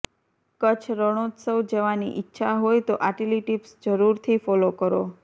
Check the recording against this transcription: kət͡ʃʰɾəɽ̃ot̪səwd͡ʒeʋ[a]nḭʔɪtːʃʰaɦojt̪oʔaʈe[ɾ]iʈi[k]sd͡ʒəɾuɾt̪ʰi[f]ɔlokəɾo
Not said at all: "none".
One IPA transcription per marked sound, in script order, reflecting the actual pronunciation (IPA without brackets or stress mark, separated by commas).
a, l, p, f